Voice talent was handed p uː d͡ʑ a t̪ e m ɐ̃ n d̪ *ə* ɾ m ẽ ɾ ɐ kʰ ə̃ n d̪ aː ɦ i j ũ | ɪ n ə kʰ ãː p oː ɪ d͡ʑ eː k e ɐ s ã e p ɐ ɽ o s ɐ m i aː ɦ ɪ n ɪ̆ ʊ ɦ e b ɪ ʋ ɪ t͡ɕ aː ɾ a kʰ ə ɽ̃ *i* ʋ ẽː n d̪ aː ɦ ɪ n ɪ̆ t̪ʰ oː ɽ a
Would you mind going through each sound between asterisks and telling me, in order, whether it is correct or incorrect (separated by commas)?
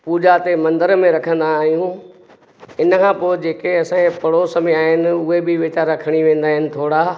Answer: correct, correct